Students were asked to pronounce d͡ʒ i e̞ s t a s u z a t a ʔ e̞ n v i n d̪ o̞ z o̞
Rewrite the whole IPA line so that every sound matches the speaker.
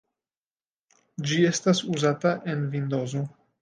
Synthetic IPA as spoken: d͡ʒ i e̞ s t a s u z a t a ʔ e̞ n v i n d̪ o̞ z o̞